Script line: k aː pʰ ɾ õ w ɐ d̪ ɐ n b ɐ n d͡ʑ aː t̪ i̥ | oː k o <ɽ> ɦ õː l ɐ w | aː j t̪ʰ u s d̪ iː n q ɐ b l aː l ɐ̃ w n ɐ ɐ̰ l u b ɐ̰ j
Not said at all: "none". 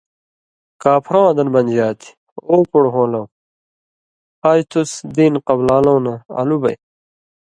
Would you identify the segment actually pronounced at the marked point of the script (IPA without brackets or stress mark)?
ɽ